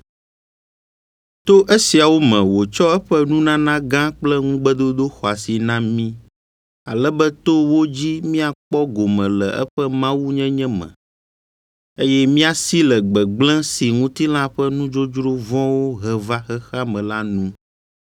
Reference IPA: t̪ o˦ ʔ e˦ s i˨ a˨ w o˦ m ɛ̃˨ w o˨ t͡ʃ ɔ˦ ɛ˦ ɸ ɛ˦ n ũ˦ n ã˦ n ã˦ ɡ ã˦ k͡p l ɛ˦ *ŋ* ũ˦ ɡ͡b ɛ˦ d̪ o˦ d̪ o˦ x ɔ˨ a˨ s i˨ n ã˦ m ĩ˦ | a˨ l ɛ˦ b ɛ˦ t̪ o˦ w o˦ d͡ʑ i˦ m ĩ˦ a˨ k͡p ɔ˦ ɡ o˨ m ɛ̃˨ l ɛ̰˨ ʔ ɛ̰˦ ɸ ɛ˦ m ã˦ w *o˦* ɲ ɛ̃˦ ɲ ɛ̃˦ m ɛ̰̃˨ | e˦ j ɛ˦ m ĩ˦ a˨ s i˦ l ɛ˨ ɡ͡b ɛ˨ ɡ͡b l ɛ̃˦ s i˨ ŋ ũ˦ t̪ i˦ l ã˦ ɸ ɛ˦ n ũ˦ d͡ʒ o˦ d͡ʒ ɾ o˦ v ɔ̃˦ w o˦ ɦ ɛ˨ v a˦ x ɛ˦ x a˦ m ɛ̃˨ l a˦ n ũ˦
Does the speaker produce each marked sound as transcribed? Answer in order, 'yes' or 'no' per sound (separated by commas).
yes, no